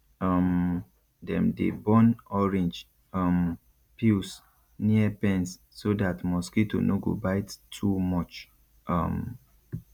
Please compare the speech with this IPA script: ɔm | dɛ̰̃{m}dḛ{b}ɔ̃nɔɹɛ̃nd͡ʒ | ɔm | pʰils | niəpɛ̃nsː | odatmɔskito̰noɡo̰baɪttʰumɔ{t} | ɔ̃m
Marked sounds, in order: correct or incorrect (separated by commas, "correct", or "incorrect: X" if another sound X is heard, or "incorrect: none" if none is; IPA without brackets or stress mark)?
correct, correct, incorrect: t͡ʃ